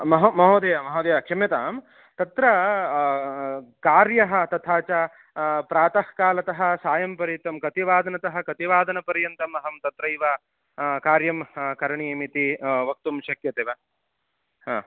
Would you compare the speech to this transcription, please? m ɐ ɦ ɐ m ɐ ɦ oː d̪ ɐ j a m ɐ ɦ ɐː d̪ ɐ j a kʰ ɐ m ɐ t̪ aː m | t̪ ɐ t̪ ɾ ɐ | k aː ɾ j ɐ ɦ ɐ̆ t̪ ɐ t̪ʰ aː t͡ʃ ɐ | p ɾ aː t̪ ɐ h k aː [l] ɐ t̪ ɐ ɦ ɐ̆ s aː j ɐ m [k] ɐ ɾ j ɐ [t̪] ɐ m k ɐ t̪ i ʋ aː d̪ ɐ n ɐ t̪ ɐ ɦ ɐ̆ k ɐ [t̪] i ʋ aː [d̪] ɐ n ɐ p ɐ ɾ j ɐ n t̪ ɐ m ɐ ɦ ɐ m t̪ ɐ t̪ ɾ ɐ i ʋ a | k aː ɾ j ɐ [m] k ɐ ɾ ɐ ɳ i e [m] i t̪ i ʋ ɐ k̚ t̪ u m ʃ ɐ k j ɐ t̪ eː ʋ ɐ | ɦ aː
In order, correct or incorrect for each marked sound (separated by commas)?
correct, incorrect, correct, correct, correct, correct, correct